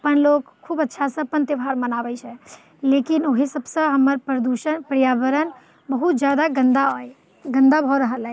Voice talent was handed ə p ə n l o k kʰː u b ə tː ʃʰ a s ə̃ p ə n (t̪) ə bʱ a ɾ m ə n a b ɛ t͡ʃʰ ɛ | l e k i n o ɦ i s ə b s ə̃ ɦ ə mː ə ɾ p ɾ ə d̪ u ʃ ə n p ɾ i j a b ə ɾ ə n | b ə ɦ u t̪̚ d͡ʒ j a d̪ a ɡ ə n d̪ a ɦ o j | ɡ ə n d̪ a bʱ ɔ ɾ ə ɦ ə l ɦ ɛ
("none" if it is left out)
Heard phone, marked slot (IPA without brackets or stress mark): t̪